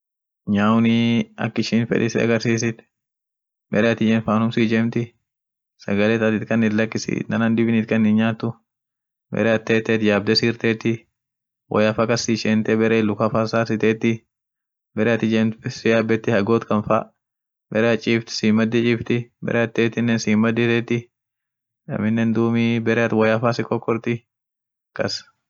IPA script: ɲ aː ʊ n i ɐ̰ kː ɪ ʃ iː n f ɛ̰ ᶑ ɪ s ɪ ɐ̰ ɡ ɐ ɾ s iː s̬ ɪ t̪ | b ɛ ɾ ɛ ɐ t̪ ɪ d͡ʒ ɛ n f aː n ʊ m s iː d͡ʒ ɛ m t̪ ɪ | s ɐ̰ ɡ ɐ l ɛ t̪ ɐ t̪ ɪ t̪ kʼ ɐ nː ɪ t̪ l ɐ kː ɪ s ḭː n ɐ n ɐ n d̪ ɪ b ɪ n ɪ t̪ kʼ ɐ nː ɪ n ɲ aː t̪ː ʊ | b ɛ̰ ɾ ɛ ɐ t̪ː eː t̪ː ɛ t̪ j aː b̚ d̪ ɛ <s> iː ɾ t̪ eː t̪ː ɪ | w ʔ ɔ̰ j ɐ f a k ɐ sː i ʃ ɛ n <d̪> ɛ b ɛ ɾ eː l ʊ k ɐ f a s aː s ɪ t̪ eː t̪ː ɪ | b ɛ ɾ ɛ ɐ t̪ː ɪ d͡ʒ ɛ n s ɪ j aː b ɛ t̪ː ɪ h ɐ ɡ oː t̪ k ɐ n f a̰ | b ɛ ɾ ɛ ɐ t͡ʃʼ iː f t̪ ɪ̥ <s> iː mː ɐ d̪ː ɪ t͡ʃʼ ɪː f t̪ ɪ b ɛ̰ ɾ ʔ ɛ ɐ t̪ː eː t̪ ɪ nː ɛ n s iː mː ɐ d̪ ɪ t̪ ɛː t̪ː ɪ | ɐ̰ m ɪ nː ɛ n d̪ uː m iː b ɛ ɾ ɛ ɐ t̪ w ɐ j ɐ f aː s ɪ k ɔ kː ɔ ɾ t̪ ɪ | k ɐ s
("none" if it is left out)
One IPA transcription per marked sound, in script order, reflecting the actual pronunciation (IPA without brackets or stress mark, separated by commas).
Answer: s, t̪, s